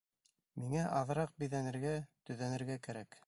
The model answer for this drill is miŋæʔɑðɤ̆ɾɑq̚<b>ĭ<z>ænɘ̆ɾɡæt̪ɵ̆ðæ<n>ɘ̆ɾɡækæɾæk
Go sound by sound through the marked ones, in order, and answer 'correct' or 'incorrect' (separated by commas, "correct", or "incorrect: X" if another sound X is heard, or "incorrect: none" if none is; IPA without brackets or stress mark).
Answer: correct, incorrect: ð, correct